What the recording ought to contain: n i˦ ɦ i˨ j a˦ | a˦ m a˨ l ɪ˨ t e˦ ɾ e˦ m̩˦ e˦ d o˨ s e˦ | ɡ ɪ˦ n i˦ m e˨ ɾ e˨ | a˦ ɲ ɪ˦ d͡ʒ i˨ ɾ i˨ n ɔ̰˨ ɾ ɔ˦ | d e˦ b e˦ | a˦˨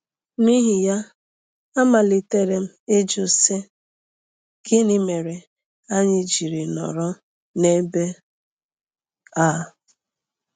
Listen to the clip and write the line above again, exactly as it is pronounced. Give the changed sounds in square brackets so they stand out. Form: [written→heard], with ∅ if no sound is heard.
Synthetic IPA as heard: n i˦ ɦ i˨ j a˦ | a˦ m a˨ l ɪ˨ t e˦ ɾ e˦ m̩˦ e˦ [d→d͡ʒ] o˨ s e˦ | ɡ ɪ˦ n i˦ m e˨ ɾ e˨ | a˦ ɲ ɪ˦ d͡ʒ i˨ ɾ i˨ n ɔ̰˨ ɾ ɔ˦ | [d→n] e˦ b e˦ | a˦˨